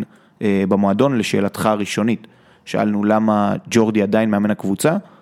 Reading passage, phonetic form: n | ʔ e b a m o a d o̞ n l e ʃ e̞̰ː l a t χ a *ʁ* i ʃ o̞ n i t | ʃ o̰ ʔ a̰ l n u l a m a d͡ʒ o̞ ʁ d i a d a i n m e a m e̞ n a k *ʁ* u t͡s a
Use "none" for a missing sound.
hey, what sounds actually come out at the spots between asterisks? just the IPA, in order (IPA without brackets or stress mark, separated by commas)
ʁ, v